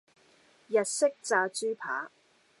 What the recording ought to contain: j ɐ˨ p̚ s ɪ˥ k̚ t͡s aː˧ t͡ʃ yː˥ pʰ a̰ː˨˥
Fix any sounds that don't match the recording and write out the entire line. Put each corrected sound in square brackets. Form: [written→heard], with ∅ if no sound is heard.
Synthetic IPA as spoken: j ɐ˨ [p̚→t̚] s ɪ˥ k̚ t͡s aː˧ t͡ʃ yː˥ pʰ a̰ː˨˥